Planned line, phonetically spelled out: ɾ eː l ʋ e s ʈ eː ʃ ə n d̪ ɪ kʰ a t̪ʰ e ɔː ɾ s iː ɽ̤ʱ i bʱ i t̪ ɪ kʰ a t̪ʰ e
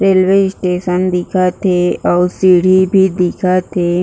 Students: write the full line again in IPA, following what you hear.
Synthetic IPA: ɾ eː l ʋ e s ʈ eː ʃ ə n d̪ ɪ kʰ a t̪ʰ e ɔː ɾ s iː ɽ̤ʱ i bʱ i d̪ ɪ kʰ a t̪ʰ e

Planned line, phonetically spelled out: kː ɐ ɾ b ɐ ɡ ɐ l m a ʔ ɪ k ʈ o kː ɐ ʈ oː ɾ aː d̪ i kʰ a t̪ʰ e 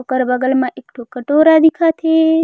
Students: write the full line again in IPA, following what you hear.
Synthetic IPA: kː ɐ ɾ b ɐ ɡ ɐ l m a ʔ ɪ k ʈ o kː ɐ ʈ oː ɾ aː d̪ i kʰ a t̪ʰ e

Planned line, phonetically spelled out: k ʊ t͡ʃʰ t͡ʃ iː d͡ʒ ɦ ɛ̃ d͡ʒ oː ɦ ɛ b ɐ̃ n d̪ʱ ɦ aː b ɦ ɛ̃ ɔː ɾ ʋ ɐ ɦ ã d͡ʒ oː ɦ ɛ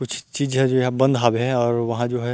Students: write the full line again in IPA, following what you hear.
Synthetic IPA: k ʊ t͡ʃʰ t͡ʃ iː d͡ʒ ɦ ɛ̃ d͡ʒ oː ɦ ɛ b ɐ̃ n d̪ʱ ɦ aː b ɦ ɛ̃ ɔː ɾ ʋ ɐ ɦ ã d͡ʒ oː ɦ ɛ

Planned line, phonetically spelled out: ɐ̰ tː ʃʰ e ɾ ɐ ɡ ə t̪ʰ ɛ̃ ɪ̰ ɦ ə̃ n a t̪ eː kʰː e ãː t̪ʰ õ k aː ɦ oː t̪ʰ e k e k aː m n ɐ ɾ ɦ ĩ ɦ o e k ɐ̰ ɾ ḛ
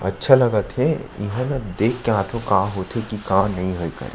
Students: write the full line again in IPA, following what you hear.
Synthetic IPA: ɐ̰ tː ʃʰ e l ɐ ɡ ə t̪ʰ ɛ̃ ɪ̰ ɦ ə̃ n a d̪ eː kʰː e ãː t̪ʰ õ k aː ɦ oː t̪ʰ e k i k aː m n ɐ ɦ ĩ ɦ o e k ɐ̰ ɾ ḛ

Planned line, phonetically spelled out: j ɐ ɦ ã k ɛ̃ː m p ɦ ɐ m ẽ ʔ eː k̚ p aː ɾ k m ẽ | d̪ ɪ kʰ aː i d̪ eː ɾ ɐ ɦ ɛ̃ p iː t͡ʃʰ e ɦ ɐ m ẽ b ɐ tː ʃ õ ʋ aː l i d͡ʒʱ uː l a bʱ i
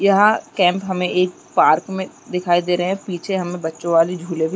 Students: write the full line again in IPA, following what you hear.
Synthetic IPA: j ɐ ɦ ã k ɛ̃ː m p ɦ ɐ m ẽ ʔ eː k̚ p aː ɾ k m ẽ | d̪ ɪ kʰ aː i d̪ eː ɾ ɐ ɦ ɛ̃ p iː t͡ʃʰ e ɦ ɐ m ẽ b ɐ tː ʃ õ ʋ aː l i d͡ʒʱ uː l e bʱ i

